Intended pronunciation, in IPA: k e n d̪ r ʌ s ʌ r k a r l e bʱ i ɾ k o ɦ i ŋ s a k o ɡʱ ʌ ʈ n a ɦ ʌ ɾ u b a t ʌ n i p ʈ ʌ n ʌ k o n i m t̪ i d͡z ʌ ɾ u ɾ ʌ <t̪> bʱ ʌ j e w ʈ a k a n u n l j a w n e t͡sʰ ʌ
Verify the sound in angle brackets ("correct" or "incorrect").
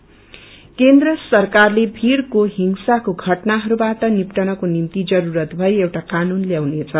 correct